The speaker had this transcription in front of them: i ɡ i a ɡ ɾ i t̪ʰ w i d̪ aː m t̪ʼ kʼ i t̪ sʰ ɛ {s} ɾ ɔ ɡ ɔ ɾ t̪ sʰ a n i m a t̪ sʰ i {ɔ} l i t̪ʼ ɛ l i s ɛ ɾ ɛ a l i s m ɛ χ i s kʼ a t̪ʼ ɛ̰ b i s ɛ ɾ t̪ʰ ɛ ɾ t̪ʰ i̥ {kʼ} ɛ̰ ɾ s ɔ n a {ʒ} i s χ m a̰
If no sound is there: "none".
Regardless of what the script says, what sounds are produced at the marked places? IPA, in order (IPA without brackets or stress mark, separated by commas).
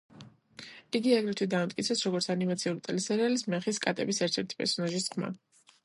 s, u, pʼ, ʒ